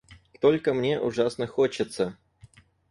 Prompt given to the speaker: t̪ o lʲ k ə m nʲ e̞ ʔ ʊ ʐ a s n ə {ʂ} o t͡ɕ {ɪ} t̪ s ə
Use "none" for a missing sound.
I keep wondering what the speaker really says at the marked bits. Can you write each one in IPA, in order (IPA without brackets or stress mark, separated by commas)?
x, ɪ